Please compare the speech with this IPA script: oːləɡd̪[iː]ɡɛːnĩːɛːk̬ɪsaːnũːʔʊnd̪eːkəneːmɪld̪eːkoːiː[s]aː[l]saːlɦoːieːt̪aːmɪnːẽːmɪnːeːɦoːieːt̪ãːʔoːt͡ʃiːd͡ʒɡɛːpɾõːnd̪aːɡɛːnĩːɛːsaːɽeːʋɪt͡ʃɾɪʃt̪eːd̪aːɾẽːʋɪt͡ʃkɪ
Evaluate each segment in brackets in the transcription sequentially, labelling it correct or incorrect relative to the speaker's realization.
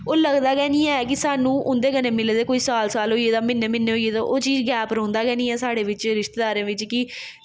incorrect: aː, correct, correct

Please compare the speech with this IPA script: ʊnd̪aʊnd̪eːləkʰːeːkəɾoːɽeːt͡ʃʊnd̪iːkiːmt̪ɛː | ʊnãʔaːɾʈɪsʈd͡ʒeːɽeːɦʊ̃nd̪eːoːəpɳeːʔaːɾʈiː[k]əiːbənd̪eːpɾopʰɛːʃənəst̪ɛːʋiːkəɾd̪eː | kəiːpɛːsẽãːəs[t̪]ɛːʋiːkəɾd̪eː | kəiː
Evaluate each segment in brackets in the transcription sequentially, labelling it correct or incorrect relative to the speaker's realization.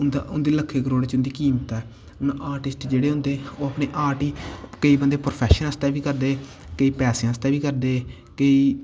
correct, correct

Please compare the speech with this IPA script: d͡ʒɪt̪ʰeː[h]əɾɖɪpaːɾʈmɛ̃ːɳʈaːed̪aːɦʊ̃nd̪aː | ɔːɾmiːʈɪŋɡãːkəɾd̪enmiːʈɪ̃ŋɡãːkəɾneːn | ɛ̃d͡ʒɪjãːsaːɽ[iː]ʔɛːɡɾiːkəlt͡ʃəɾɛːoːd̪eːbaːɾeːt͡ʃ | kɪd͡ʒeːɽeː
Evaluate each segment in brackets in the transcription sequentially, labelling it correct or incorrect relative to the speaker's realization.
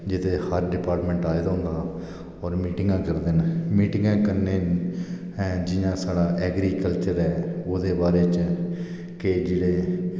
correct, incorrect: aː

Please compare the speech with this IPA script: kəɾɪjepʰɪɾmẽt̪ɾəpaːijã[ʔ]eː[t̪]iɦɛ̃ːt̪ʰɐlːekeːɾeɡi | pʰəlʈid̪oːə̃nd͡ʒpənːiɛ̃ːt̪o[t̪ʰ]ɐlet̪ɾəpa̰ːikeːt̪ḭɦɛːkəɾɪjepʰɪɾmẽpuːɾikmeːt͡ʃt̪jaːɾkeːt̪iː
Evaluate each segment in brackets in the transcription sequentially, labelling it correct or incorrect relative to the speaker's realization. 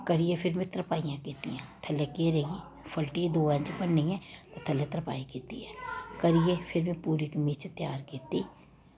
incorrect: k, correct, correct

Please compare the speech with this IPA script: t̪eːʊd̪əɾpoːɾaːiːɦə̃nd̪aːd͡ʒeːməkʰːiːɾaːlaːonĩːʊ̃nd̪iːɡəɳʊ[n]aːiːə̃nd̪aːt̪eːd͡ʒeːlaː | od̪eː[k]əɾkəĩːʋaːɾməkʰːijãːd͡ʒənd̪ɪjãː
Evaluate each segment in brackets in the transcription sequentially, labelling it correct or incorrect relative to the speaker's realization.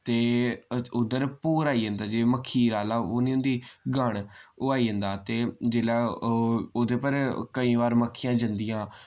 incorrect: none, incorrect: p

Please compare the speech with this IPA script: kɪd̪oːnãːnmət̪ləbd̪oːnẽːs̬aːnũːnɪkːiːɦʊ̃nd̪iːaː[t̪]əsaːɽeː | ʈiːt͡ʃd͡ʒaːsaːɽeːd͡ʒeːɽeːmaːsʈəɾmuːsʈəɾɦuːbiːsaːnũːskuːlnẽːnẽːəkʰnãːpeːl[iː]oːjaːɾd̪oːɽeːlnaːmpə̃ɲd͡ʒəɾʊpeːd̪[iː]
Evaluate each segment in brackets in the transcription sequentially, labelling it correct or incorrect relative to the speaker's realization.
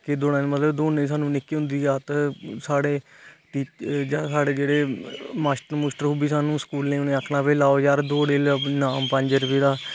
correct, incorrect: aː, incorrect: aː

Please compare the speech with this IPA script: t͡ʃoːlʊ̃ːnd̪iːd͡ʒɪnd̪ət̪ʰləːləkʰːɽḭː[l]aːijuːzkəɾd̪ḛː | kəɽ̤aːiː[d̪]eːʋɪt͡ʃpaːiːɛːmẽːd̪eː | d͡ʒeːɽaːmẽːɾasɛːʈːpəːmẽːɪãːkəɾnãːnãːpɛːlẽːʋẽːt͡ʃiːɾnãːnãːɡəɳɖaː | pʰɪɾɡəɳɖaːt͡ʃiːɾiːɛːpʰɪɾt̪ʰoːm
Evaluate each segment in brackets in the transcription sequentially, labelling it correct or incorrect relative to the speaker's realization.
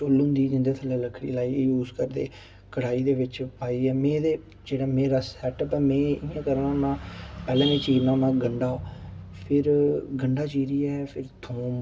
correct, correct

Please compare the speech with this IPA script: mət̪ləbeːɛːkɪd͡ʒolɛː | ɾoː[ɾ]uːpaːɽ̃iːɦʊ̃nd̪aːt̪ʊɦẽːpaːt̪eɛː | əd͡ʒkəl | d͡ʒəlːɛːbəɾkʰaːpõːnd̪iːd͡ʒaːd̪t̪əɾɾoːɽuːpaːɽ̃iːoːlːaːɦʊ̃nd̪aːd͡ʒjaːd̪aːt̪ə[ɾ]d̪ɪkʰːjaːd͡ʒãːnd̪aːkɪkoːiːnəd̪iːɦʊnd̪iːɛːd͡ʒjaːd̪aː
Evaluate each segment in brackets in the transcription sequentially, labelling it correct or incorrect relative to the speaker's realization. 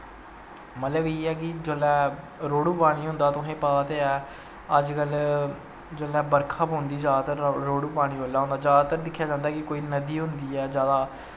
incorrect: ɽ, correct

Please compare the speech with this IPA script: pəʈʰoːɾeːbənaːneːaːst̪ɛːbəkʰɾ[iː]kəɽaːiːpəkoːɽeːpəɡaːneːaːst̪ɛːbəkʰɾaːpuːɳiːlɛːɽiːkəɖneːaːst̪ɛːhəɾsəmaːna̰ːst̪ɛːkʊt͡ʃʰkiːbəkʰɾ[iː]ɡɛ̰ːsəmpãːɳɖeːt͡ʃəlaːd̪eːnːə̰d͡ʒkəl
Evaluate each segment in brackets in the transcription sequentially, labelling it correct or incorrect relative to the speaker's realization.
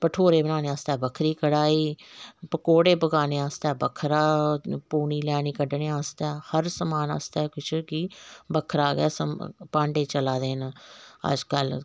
correct, incorrect: aː

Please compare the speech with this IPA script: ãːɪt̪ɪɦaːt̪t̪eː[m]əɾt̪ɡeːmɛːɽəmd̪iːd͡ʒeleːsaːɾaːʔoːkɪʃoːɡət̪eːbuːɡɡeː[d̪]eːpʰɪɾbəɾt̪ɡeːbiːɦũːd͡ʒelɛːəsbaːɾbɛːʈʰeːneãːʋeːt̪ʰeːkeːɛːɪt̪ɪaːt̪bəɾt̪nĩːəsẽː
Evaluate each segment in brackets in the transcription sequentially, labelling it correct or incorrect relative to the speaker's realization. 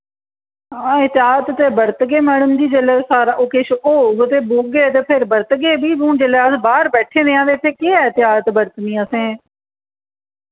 incorrect: b, incorrect: t̪

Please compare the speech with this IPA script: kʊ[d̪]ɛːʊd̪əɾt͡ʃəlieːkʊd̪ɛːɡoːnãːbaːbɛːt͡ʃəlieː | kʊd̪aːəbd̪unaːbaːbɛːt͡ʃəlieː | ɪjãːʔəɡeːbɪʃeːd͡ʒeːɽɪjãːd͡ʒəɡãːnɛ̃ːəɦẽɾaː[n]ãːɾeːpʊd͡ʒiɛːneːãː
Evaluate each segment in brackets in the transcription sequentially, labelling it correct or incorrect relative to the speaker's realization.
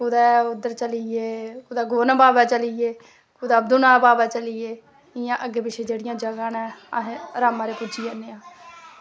correct, incorrect: m

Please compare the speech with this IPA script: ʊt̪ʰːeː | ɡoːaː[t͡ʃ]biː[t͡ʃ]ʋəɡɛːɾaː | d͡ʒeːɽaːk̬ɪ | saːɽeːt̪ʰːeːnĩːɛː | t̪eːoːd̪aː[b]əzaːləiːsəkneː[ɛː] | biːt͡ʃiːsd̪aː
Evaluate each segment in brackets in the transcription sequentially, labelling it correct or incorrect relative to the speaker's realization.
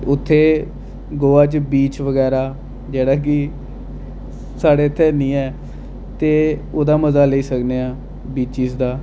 correct, correct, incorrect: m, incorrect: aː

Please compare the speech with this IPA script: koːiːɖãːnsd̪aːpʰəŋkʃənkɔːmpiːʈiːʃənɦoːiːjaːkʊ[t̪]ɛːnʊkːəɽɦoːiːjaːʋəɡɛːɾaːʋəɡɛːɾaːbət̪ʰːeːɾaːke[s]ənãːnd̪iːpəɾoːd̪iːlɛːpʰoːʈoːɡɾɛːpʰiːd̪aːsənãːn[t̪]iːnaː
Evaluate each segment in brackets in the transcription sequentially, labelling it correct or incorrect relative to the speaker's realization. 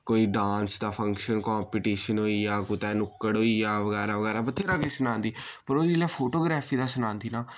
correct, correct, incorrect: d̪

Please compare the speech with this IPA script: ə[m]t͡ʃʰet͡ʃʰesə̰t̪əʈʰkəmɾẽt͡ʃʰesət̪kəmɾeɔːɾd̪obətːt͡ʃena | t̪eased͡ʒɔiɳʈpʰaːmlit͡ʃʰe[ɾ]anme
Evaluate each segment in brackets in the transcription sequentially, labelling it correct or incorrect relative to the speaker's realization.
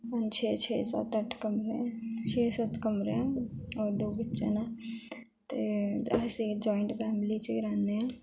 incorrect: n, correct

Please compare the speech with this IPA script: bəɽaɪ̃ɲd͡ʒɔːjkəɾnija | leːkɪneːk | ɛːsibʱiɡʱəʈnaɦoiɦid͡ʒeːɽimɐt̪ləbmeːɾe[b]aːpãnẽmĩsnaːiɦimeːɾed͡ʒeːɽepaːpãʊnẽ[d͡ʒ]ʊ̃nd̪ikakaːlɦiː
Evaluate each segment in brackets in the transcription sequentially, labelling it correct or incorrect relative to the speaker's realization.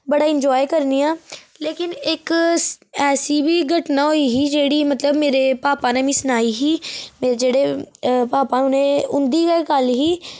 incorrect: p, incorrect: none

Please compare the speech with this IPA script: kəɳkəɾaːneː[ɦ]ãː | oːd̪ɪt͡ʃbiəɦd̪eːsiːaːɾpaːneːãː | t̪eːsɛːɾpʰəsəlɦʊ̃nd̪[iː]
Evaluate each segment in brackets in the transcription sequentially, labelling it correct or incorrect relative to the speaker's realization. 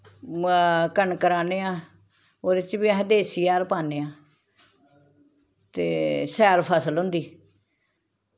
incorrect: none, correct

